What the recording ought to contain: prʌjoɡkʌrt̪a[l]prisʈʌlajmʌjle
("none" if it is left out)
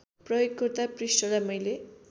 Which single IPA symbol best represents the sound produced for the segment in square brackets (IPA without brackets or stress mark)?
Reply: none